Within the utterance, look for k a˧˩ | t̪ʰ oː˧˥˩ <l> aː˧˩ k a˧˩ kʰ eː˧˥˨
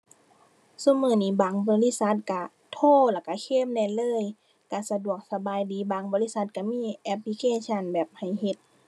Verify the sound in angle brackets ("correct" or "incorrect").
correct